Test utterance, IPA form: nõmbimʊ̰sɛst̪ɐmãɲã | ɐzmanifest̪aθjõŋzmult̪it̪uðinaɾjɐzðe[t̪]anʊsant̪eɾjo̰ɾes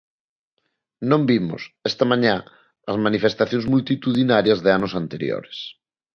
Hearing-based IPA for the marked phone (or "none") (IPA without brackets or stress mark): none